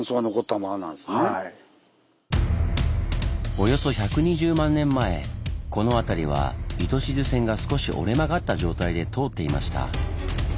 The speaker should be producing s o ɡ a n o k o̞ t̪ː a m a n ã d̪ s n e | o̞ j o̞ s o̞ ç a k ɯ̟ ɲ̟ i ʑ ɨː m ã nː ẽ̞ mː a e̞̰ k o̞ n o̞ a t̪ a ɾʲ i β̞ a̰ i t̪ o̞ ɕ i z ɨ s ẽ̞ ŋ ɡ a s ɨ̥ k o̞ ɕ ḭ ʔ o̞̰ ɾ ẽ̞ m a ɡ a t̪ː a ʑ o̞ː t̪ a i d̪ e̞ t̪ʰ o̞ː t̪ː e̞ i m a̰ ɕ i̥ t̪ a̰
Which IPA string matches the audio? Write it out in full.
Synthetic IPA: s o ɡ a n o k o̞ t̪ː a m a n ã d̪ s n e | o̞ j o̞ s o̞ ç a k ɯ̟ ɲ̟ i ʑ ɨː m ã nː ẽ̞ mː a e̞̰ k o̞ n o̞ a t̪ a ɾʲ i β̞ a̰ i t̪ o̞ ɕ i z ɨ s ẽ̞ ŋ ɡ a s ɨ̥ k o̞ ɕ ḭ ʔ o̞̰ ɾ e̞ m a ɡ a t̪ː a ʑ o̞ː t̪ a i d̪ e̞ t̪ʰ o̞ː t̪ː e̞ i m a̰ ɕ i̥ t̪ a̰